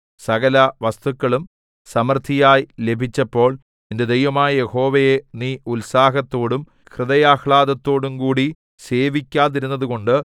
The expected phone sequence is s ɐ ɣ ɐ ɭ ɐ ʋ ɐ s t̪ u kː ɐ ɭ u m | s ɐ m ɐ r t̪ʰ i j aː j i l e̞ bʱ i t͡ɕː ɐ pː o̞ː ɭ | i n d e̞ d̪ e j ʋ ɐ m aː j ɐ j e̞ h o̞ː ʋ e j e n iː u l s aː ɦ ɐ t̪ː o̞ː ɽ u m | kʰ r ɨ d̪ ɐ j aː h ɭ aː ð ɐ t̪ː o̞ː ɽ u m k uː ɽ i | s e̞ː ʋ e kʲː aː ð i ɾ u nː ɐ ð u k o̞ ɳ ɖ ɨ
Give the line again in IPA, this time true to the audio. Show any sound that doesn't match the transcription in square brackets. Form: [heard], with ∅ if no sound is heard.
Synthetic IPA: s ɐ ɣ ɐ [l] ɐ ʋ ɐ s t̪ u kː ɐ ɭ u m | s ɐ m ɐ r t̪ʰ i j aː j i l e̞ bʱ i t͡ɕː ɐ pː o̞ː ɭ | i n d e̞ d̪ e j ʋ ɐ m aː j ɐ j e̞ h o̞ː ʋ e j e n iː u l s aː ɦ ɐ t̪ː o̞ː ɽ u m | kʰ r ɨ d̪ ɐ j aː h ɭ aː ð ɐ t̪ː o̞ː ɽ u m k uː ɽ i | s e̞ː ʋ [i] kʲː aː ð i ɾ u nː ɐ ð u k o̞ ɳ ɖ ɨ

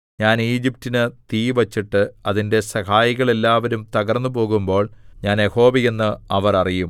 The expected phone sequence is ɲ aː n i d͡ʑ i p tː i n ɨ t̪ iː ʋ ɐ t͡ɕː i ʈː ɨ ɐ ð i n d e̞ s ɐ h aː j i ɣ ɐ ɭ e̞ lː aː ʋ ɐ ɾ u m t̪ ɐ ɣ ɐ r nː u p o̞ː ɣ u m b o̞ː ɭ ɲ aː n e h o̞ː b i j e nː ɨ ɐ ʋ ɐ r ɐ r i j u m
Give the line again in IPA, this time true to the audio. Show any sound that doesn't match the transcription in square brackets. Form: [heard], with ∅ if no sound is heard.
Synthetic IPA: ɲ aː n [iː] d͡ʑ i p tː i n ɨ t̪ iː ʋ ɐ t͡ɕː i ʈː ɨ ɐ ð i n d e̞ s ɐ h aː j i ɣ ɐ ɭ e̞ lː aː ʋ ɐ ɾ u m t̪ ɐ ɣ ɐ r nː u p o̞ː ɣ u m b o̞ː ɭ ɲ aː n e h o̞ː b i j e nː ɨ ɐ ʋ ɐ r ɐ r i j u m

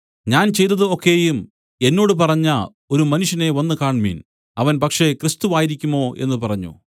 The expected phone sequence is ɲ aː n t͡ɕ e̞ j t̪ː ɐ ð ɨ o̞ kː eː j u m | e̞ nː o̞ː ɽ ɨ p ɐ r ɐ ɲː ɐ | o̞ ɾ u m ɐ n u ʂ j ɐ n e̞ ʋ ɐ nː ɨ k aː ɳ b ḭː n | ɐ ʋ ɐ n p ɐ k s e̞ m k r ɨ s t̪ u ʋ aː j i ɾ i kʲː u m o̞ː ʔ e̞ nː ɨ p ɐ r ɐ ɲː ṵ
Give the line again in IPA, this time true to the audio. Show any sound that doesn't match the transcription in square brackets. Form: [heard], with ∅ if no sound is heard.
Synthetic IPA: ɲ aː n t͡ɕ e̞ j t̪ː ɐ ð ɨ o̞ kː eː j u m | e̞ nː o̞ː ɽ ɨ p ɐ r ɐ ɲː ɐ | o̞ ɾ u m ɐ n u ʂ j ɐ n e̞ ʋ ɐ nː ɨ k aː ɳ [m] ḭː n | ɐ ʋ ɐ n p ɐ k [ʂ] e̞ [∅] k r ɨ s t̪ u ʋ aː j i ɾ i kʲː u m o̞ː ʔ e̞ nː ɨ p ɐ r ɐ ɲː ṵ

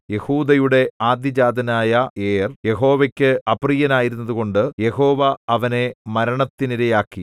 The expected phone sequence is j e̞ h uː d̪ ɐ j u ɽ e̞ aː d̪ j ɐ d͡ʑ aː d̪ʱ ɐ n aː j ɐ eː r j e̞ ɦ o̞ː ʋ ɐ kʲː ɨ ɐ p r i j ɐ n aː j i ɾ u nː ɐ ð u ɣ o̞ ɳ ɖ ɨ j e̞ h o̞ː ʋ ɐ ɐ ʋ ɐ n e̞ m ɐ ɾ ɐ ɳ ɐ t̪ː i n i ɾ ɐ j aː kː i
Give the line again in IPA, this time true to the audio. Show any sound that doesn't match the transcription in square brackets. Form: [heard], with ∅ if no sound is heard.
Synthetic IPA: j e̞ h uː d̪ ɐ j u ɽ e̞ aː d̪ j ɐ d͡ʑ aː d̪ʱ ɐ n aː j ɐ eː r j e̞ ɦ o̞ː ʋ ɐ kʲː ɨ ɐ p r i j ɐ n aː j i ɾ u nː ɐ ð u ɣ o̞ ɳ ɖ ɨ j e̞ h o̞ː ʋ ɐ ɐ ʋ ɐ n e̞ m ɐ ɾ ɐ ɳ ɐ t̪ː i n i ɾ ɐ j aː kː i

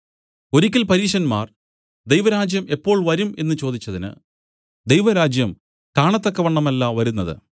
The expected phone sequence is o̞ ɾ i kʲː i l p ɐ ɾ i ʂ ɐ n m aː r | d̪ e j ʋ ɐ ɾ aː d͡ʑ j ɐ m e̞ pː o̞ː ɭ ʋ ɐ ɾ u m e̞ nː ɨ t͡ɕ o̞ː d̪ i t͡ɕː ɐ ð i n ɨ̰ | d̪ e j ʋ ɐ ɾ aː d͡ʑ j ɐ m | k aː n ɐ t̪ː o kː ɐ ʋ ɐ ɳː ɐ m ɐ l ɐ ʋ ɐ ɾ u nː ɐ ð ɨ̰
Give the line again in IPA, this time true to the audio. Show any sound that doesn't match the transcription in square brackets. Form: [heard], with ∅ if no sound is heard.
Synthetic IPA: o̞ ɾ i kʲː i l p ɐ ɾ [iː] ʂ ɐ n m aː r | d̪ e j ʋ ɐ ɾ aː d͡ʑ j ɐ m e̞ pː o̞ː ɭ ʋ ɐ ɾ u m e̞ nː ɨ t͡ɕ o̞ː d̪ i t͡ɕː ɐ ð i n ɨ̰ | d̪ e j ʋ ɐ ɾ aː d͡ʑ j ɐ m | k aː [ɳ] ɐ t̪ː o kː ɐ ʋ ɐ ɳː ɐ m ɐ [lː] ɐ ʋ ɐ ɾ u nː ɐ ð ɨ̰

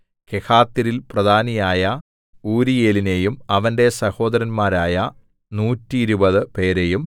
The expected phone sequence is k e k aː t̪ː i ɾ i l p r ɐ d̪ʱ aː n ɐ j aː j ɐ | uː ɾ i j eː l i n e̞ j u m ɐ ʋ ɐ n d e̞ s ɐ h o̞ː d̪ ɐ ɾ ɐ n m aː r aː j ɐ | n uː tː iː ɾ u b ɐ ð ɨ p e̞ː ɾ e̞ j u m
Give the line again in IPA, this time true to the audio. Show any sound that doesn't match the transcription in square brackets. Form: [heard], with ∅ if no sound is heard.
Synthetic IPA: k e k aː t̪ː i ɾ i l p r ɐ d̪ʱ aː n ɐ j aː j ɐ | uː ɾ i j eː l i n e̞ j u m ɐ ʋ ɐ n d e̞ s ɐ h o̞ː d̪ ɐ ɾ ɐ n m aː [ɾ] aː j ɐ | n uː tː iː ɾ u b ɐ ð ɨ p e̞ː ɾ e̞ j u m

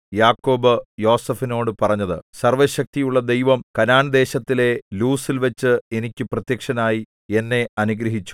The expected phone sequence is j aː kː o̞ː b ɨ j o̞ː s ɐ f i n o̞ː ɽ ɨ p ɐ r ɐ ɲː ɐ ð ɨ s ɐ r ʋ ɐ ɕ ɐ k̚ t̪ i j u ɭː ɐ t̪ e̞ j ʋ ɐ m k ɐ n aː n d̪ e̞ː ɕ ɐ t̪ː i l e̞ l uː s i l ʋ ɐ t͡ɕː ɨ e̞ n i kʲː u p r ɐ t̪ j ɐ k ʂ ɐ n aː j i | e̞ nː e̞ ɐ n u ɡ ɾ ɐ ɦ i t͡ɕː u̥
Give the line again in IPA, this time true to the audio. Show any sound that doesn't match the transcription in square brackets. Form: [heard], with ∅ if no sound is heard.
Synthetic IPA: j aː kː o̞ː b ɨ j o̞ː s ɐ f i n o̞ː ɽ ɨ p ɐ r ɐ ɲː ɐ ð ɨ s ɐ r ʋ ɐ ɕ ɐ k̚ t̪ i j u ɭː ɐ [d̪] e̞ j ʋ ɐ m k ɐ n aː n d̪ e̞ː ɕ ɐ t̪ː i l e̞ l uː s i l ʋ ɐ t͡ɕː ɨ e̞ n i kʲː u p r ɐ t̪ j ɐ k ʂ ɐ n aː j i | e̞ nː e̞ ɐ n u ɡ ɾ ɐ ɦ i t͡ɕː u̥

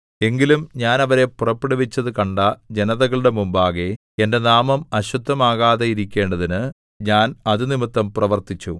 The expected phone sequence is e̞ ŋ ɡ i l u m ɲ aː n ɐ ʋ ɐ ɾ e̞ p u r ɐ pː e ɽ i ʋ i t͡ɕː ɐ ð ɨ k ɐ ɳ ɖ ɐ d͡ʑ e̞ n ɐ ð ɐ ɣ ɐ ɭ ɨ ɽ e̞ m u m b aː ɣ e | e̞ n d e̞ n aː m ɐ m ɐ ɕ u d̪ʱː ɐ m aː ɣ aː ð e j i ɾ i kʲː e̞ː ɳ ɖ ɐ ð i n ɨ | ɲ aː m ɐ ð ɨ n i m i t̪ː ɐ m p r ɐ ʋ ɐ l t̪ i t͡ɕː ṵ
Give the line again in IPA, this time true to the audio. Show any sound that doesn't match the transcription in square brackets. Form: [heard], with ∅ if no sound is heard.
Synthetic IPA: e̞ ŋ ɡ i l u m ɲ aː n ɐ ʋ ɐ ɾ e̞ p u r ɐ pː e ɽ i ʋ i t͡ɕː ɐ ð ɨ k ɐ ɳ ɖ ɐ d͡ʑ e̞ n ɐ ð ɐ ɣ ɐ ɭ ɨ ɽ e̞ m u m b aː ɣ e | e̞ n d e̞ n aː m ɐ m ɐ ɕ u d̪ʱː ɐ m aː ɣ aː ð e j i ɾ i kʲː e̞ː ɳ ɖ ɐ ð i n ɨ | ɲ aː [n] ɐ ð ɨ n i m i t̪ː ɐ m p r ɐ ʋ ɐ [r] t̪ i t͡ɕː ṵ

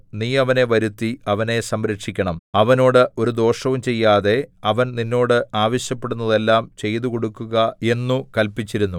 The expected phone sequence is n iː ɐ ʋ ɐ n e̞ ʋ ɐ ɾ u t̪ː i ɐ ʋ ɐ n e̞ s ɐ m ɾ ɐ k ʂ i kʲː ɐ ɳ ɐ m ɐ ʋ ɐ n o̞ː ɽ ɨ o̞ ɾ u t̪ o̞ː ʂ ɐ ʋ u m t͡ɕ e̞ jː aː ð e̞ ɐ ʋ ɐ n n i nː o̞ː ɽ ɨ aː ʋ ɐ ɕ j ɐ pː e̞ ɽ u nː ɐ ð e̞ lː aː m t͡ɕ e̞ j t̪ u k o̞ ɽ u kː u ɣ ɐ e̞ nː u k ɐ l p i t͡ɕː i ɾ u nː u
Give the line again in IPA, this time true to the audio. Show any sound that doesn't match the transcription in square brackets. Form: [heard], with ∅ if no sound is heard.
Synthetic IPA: n iː ɐ ʋ ɐ n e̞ ʋ ɐ ɾ u t̪ː i ɐ ʋ ɐ n e̞ s ɐ m ɾ ɐ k ʂ i kʲː ɐ ɳ ɐ m ɐ ʋ ɐ n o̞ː ɽ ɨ o̞ ɾ u [d̪] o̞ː ʂ ɐ ʋ u m t͡ɕ e̞ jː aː ð e̞ ɐ ʋ ɐ n n i nː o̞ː ɽ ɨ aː ʋ ɐ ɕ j ɐ pː e̞ ɽ u nː ɐ ð e̞ lː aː m t͡ɕ e̞ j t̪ u k o̞ ɽ u kː u ɣ ɐ e̞ nː u k ɐ l p i t͡ɕː i ɾ u nː u

